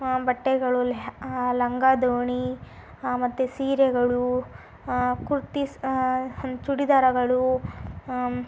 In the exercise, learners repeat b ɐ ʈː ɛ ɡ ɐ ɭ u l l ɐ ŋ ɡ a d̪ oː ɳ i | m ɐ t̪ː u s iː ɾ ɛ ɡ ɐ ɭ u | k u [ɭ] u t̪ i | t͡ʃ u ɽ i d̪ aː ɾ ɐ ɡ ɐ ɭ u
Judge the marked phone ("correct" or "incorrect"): incorrect